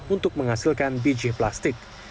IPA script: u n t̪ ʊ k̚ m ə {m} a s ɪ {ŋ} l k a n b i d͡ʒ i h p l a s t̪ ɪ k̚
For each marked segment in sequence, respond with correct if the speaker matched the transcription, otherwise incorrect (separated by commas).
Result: incorrect, incorrect